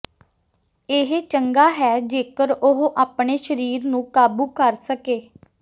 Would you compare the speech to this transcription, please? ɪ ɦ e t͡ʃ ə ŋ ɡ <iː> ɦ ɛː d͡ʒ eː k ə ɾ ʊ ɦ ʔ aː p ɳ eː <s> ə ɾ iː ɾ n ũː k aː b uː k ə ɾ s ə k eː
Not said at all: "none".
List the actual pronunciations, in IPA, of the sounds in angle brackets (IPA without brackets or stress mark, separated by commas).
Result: aː, ʃ